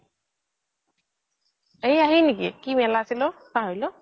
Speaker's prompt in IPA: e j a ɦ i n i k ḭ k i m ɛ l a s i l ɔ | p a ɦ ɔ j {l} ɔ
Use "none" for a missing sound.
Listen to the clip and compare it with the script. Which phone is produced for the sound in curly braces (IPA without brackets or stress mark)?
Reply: l